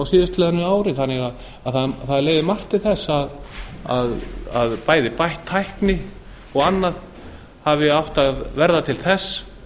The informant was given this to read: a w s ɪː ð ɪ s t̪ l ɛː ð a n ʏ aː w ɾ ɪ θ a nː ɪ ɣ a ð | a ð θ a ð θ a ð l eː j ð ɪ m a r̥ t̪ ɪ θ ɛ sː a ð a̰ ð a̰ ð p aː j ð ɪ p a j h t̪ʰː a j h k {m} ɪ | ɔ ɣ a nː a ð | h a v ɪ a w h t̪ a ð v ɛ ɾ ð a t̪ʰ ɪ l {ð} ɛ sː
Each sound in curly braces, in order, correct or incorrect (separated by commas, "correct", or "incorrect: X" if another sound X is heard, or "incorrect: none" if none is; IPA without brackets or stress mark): incorrect: n, incorrect: θ